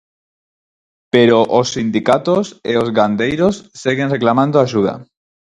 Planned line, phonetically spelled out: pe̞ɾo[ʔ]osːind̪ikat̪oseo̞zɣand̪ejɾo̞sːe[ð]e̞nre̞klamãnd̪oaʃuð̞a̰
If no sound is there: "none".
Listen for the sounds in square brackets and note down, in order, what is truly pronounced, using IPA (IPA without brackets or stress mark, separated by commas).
ʔ, ɣ